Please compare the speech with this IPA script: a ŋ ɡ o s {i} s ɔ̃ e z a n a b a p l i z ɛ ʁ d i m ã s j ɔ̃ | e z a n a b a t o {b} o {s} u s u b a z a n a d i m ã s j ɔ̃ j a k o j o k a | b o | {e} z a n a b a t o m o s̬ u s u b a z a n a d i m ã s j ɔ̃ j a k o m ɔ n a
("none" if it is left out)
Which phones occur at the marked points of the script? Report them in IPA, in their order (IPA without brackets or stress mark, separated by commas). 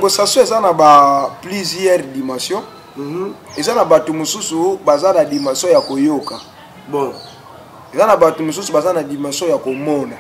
a, m, s, e